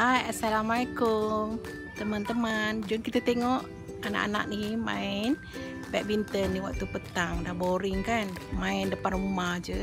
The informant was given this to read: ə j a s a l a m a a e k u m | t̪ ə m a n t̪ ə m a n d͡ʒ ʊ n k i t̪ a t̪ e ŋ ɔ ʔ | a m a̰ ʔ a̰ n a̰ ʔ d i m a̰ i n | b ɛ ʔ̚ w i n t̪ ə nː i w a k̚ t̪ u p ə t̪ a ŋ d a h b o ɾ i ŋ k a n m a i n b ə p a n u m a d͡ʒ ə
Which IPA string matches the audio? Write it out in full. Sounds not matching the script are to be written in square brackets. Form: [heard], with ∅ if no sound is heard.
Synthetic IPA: [a] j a s a l a m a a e k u m | t̪ ə m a n t̪ ə m a n d͡ʒ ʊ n k i t̪ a t̪ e ŋ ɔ ʔ | a [n] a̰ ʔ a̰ n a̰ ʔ [n] i m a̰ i n | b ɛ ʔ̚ [b] i n t̪ ə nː i w a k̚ t̪ u p ə t̪ a ŋ d a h b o ɾ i ŋ k a n m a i n [d] ə p a n u m a d͡ʒ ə